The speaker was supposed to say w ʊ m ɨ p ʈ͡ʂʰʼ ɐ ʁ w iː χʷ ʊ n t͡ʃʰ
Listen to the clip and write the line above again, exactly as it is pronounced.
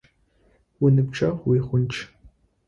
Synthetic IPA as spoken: w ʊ n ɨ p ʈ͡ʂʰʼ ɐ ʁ w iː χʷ ʊ n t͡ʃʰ